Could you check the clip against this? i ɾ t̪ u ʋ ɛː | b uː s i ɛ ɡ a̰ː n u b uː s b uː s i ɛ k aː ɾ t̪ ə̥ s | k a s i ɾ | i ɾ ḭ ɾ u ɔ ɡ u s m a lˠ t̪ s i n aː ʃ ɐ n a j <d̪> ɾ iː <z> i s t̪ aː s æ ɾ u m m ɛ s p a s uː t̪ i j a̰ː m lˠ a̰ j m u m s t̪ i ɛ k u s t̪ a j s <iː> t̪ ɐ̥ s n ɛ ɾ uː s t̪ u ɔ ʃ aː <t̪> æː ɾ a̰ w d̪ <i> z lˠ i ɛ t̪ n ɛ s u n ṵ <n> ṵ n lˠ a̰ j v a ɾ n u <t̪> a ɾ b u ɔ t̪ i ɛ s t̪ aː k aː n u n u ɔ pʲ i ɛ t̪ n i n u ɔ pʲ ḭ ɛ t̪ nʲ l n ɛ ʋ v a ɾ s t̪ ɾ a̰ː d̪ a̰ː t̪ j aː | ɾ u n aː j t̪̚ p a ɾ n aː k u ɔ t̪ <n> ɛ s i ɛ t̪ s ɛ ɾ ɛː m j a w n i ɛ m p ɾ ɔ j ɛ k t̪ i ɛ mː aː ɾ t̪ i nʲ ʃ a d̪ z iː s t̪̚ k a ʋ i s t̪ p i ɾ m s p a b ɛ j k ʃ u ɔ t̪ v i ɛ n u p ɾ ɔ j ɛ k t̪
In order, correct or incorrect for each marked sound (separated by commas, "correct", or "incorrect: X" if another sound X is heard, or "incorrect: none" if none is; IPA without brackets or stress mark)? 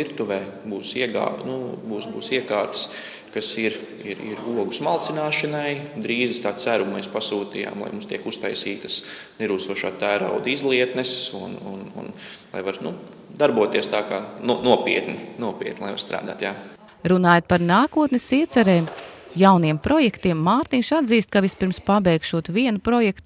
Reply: correct, correct, correct, correct, correct, correct, incorrect: d̪, correct